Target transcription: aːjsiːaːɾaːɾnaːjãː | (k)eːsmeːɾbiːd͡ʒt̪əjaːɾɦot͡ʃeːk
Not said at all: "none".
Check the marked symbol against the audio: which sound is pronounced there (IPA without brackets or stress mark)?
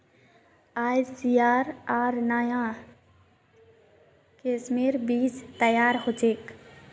k